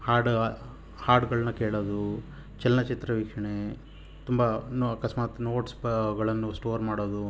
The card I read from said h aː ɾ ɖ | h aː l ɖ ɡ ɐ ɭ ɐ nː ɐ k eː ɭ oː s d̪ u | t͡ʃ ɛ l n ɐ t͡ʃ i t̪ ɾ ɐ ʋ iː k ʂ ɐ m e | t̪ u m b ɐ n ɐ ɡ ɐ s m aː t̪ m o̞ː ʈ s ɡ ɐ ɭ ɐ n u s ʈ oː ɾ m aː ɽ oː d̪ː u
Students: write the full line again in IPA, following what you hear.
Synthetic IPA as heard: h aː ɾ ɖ | h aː ɾ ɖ ɡ ɐ ɭ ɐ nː ɐ k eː ɭ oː d̪ u | t͡ʃ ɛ l n ɐ t͡ʃ i t̪ ɾ ɐ ʋ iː k ʂ ɐ ɳ e | t̪ u m b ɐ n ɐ k ɐ s m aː t̪ n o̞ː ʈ s ɡ ɐ ɭ ɐ nː u s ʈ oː ɾ m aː ɽ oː d̪ u

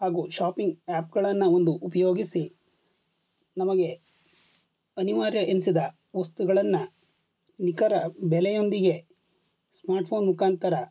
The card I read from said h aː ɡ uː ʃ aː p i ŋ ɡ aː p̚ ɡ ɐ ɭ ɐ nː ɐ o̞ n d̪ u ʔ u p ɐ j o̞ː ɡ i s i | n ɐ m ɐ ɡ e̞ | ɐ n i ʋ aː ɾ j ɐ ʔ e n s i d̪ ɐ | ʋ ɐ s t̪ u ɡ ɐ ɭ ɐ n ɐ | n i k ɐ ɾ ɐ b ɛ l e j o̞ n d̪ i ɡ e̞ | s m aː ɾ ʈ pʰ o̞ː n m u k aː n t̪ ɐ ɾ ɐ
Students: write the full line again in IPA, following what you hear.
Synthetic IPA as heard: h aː ɡ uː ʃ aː p i ŋ ɡ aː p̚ ɡ ɐ ɭ ɐ nː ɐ o̞ n d̪ u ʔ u p ɐ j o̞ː ɡ i s i | n ɐ m ɐ ɡ e̞ | ɐ n i ʋ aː ɾ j ɐ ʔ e n s i d̪ ɐ | ʋ ɐ s t̪ u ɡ ɐ ɭ ɐ nː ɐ | n i k ɐ ɾ ɐ b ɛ l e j o̞ n d̪ i ɡ e̞ | s m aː ɾ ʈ pʰ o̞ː n m u k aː n t̪ ɐ ɾ ɐ

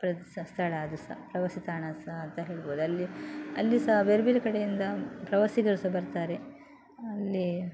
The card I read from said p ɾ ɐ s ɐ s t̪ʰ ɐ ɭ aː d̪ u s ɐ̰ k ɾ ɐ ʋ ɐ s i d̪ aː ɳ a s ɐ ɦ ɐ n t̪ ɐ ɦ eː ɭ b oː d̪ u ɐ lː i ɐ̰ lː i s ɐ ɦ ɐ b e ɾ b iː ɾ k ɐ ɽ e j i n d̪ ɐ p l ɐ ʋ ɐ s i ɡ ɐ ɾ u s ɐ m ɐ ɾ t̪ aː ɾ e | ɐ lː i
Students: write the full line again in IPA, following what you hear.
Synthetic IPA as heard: p ɾ ɐ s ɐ s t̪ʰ ɐ ɭ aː d̪ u s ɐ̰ p ɾ ɐ ʋ ɐ s i t̪ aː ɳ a s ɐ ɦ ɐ n t̪ ɐ ɦ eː ɭ b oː d̪ u ɐ lː i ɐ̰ lː i s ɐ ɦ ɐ b e ɾ b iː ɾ k ɐ ɽ e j i n d̪ ɐ p ɾ ɐ ʋ ɐ s i ɡ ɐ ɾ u s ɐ b ɐ ɾ t̪ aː ɾ e | ɐ lː i

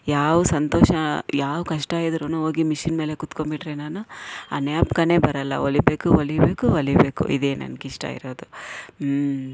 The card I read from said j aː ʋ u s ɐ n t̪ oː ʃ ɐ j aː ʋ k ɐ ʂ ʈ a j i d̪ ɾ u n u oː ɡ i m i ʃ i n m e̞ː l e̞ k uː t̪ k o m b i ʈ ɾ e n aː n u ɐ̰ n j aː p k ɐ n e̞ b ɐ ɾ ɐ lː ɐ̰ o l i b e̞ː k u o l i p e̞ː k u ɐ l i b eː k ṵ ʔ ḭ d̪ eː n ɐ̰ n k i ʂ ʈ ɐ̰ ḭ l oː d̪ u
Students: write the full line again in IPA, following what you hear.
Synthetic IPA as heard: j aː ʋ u s ɐ n t̪ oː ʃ ɐ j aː ʋ k ɐ ʂ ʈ a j i d̪ ɾ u n u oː ɡ i m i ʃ i n m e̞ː l e̞ k u t̪ k o m b i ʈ ɾ e n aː n u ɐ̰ n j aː p k ɐ n e̞ b ɐ ɾ ɐ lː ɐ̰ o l i b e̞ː k u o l i b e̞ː k u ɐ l i b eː k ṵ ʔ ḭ d̪ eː n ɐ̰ n k i ʂ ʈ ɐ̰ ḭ ɾ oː d̪ u

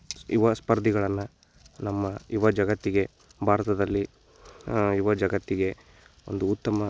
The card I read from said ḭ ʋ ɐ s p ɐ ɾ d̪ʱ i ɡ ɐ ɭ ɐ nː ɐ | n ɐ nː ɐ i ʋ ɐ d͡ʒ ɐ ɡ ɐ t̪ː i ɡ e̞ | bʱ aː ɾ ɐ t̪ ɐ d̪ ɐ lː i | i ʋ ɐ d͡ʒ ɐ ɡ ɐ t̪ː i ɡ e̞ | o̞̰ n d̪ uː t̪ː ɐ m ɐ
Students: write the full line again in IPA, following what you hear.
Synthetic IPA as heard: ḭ ʋ ɐ s p ɐ ɾ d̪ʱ i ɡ ɐ ɭ ɐ nː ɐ | n ɐ mː ɐ i ʋ ɐ d͡ʒ ɐ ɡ ɐ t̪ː i ɡ e̞ | bʱ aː ɾ ɐ t̪ ɐ d̪ ɐ lː i | i ʋ ɐ d͡ʒ ɐ ɡ ɐ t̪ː i ɡ e̞ | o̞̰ n d̪ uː t̪ː ɐ m ɐ

